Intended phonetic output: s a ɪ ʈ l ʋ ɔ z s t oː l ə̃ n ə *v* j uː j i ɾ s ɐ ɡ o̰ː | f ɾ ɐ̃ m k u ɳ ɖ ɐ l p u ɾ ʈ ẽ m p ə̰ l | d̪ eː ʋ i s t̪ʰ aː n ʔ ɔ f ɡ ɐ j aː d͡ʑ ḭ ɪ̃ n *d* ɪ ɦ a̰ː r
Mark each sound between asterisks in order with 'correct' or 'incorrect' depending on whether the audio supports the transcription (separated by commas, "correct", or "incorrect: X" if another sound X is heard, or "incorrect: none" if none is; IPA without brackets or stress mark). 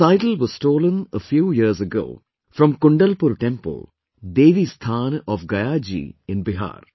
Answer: incorrect: f, incorrect: b